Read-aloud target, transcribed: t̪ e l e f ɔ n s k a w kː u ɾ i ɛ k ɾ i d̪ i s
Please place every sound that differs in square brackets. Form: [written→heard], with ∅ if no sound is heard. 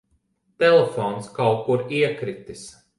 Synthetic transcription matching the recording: t̪ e l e f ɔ n s k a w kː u ɾ i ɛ k ɾ i [d̪→t̪] i s